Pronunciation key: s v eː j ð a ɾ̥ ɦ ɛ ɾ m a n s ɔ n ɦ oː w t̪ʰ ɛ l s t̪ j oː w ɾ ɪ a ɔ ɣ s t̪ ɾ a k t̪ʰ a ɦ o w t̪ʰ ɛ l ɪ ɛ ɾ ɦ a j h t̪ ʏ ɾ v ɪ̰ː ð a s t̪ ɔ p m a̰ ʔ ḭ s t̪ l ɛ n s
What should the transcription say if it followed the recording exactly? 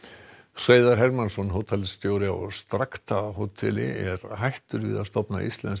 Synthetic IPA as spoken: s v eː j ð a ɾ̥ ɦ ɛ ɾ m a n s ɔ n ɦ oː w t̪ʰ ɛ l s t̪ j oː w ɾ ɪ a ɔ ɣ s t̪ ɾ a k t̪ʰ a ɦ o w t̪ʰ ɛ l ɪ ɛ ɾ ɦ a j h t̪ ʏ ɾ v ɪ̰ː ð a s t̪ ɔ p n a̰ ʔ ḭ s t̪ l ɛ n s